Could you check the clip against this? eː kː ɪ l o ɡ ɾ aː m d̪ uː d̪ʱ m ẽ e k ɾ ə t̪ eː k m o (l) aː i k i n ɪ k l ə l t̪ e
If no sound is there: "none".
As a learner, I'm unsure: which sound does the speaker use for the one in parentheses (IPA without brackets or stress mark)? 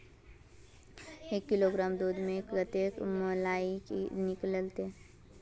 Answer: l